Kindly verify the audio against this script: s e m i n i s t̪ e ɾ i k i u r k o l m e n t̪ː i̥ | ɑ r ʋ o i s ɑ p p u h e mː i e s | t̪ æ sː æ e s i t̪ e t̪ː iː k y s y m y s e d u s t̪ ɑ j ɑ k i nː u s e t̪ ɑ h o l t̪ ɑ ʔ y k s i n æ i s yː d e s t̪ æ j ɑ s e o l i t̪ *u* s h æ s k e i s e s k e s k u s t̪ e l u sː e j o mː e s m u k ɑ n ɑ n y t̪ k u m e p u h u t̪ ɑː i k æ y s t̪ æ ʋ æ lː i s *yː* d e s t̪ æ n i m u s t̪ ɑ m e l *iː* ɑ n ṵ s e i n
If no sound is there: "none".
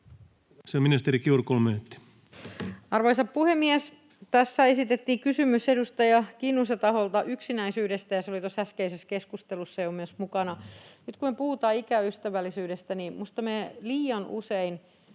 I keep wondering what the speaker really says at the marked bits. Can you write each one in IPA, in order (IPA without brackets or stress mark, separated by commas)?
o, yː, iː